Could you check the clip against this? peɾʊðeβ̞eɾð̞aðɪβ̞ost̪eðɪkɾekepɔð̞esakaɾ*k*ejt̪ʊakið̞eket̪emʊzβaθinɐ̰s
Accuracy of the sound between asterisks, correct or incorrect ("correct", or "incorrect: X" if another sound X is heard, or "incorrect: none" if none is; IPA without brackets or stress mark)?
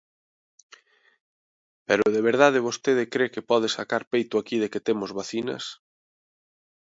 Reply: incorrect: p